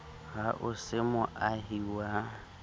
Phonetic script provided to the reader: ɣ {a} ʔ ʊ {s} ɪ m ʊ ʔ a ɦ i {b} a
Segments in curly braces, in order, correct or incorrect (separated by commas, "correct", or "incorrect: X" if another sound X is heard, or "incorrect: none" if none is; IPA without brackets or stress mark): correct, correct, incorrect: w